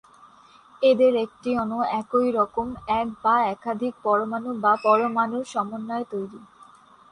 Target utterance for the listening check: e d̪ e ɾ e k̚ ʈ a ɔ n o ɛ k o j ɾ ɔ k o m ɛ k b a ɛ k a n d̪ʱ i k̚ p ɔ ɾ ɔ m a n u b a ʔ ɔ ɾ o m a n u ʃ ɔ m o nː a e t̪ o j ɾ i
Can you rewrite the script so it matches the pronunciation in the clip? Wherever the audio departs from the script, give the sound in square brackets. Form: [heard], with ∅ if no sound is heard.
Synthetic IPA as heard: e d̪ e ɾ e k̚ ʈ [i] ɔ n o ɛ k o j ɾ ɔ k o m ɛ k b a ɛ k a [∅] d̪ʱ i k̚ p ɔ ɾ [o] m a n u b a [p] ɔ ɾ o m a n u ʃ ɔ m o nː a e t̪ o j ɾ i